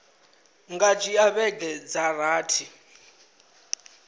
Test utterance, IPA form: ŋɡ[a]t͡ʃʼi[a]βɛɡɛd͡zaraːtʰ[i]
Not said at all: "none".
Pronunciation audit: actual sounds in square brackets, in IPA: a, a, i

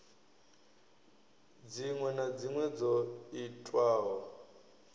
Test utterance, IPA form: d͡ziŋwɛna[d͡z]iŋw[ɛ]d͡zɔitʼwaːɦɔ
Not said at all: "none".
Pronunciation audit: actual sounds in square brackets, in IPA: d͡z, ɛ

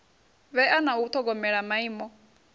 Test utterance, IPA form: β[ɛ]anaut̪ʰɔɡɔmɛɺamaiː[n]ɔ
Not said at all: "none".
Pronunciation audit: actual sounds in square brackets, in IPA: ɛ, m

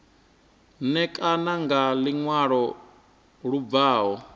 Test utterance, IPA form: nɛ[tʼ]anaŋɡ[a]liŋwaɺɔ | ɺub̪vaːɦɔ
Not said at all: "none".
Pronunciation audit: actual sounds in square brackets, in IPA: kʼ, a

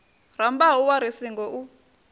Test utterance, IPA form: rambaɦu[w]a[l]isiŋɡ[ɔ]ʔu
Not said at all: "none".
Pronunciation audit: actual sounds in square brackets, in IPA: w, ɾ, ɔ

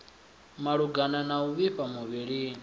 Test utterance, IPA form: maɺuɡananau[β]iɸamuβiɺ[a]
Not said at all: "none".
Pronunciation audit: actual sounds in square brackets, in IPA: β, i

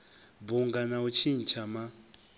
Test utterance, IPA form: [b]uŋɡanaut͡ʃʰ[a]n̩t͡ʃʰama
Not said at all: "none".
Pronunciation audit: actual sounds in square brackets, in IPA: b, i

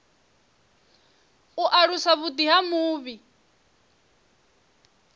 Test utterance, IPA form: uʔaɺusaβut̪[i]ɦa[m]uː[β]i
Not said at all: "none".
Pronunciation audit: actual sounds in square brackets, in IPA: i, m, β

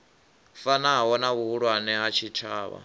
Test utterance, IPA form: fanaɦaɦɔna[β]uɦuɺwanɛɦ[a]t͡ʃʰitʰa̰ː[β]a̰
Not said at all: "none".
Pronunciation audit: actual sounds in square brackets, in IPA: β, a, β

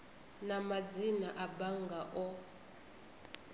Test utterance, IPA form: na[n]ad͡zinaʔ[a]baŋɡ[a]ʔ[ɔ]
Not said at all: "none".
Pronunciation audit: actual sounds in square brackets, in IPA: m, a, a, ɔ

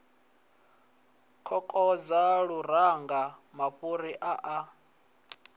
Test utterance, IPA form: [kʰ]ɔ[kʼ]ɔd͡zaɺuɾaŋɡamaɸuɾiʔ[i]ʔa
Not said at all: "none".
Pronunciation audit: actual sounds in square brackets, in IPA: kʰ, kʼ, a

